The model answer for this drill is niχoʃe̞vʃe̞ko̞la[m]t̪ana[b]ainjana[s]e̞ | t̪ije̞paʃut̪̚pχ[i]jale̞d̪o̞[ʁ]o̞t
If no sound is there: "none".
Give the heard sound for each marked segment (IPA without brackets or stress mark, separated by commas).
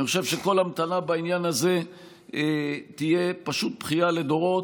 m, b, z, i, ʁ